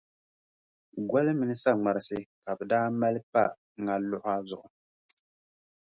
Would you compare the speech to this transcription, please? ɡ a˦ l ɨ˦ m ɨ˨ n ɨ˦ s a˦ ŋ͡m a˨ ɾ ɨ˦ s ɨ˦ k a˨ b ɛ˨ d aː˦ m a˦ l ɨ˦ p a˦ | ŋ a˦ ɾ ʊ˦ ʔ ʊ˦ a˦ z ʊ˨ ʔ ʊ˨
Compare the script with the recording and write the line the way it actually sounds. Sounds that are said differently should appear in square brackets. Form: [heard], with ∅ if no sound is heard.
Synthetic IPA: ɡ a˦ l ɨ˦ m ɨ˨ n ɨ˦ s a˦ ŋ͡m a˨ ɾ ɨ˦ s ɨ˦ k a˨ b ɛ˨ d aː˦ m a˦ l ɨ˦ p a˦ | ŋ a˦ [l] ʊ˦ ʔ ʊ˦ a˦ z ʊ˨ ʔ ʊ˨